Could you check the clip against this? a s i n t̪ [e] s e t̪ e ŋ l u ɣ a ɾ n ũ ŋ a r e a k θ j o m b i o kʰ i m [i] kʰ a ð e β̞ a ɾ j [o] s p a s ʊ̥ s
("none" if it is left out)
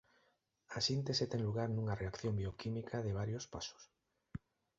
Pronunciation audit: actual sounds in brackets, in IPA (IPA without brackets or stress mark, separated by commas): e, i, o